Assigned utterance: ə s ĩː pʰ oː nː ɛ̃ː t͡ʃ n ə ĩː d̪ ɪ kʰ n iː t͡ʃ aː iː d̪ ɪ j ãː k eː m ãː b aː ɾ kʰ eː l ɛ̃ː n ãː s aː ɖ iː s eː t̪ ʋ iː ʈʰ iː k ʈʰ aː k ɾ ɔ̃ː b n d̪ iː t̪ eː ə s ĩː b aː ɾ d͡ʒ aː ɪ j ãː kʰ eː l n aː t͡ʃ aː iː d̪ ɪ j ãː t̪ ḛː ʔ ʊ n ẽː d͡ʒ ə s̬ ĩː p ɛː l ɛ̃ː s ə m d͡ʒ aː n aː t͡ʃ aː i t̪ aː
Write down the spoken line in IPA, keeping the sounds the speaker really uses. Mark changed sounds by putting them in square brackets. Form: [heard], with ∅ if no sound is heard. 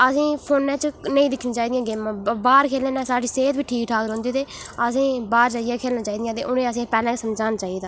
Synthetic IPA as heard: ə s ĩː pʰ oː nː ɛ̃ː t͡ʃ n ə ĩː d̪ ɪ kʰ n iː t͡ʃ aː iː d̪ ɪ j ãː [ɡ] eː m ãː b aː ɾ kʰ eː l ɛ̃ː n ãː s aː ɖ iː s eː t̪ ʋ iː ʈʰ iː k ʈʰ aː k ɾ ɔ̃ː [∅] n d̪ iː t̪ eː ə s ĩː b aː ɾ d͡ʒ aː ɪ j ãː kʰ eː l n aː t͡ʃ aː iː d̪ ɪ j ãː t̪ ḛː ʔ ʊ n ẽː [∅] ə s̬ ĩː p ɛː l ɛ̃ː s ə m d͡ʒ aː n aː t͡ʃ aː i [d̪] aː

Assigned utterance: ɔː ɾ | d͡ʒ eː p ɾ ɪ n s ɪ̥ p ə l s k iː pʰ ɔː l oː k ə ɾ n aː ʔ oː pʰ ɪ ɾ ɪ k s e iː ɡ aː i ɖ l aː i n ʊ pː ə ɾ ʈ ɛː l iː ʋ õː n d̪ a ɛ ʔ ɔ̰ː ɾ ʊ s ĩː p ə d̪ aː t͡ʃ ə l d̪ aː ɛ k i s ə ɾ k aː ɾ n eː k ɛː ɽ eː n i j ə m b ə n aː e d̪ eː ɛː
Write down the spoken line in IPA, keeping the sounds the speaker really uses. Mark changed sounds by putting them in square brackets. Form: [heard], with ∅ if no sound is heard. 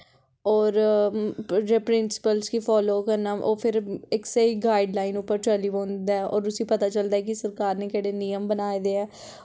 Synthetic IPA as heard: ɔː ɾ | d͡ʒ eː p ɾ ɪ n s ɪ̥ p ə l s k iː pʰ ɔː l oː k ə ɾ n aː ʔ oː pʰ ɪ ɾ ɪ k s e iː ɡ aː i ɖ l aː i n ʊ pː ə ɾ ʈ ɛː l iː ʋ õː n d̪ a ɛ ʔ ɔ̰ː ɾ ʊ s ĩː p ə [t̪] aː t͡ʃ ə l d̪ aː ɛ k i s ə ɾ k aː ɾ n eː k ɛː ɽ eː n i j ə m b ə n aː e d̪ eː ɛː

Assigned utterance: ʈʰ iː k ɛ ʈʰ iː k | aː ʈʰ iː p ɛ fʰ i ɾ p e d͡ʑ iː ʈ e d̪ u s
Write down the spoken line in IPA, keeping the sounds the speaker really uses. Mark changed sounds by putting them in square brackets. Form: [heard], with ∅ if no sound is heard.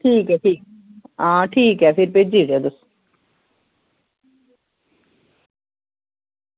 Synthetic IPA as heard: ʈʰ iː k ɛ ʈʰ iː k | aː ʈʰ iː [k] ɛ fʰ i ɾ p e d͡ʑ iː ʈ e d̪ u s

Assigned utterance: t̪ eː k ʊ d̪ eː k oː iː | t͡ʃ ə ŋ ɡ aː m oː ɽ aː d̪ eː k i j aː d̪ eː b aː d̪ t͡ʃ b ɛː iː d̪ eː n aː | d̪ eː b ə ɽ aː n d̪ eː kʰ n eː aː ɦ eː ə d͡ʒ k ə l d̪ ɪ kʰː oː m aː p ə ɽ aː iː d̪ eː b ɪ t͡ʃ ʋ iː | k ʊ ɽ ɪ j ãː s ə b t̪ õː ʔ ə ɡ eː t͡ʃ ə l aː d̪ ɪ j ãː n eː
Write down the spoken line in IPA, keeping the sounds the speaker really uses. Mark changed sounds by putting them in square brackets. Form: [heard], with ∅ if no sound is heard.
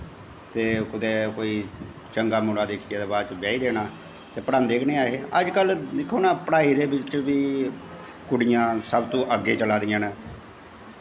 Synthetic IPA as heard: t̪ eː k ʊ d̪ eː k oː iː | t͡ʃ ə ŋ ɡ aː m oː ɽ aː d̪ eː [kʰ] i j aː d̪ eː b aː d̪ t͡ʃ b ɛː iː d̪ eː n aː | [t̪] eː [p] ə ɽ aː n d̪ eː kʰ n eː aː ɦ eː ə d͡ʒ k ə l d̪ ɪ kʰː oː [n] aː p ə ɽ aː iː d̪ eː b ɪ t͡ʃ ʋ iː | k ʊ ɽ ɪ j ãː s ə b t̪ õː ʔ ə ɡ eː t͡ʃ ə l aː d̪ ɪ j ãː n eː

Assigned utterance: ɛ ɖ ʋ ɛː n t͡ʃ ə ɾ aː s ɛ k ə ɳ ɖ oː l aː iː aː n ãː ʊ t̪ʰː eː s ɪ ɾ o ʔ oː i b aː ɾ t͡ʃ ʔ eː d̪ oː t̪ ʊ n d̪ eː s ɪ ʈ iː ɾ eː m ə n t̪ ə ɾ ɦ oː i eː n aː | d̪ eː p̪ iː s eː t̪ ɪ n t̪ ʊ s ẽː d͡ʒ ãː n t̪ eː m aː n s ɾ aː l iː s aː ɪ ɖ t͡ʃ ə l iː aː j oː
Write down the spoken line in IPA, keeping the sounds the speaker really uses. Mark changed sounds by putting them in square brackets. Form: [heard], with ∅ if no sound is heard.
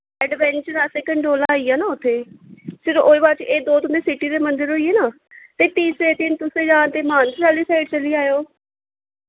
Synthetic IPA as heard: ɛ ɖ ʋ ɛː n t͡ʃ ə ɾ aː s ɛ k ə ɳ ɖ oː l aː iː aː n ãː ʊ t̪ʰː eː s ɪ ɾ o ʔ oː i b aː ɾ t͡ʃ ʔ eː d̪ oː t̪ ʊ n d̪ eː s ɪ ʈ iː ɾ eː m ə n [d̪] ə ɾ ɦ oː i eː n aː | [t̪] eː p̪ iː s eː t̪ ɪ n t̪ ʊ s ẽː d͡ʒ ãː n t̪ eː m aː n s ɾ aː l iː s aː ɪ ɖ t͡ʃ ə l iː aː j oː

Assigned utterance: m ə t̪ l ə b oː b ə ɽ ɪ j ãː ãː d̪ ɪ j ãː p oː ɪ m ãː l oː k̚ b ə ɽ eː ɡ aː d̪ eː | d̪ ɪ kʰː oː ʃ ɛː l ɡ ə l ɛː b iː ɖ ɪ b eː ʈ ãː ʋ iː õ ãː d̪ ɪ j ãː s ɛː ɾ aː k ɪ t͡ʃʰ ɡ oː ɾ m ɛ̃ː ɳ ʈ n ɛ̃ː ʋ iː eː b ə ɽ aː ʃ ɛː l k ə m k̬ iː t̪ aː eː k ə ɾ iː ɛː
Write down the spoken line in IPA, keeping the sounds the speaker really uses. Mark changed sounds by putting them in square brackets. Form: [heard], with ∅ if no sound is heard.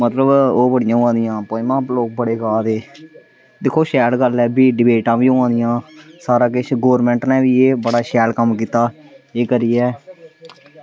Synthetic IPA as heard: m ə t̪ l ə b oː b ə ɽ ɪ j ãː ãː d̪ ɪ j ãː p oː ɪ m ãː l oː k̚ b ə ɽ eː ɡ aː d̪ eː | d̪ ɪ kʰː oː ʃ ɛː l ɡ ə l ɛː b iː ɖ ɪ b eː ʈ ãː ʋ iː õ ãː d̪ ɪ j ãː s [aː] ɾ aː k ɪ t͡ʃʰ ɡ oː ɾ m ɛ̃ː ɳ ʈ n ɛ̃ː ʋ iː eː b ə ɽ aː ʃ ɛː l k ə m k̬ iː t̪ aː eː k ə ɾ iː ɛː

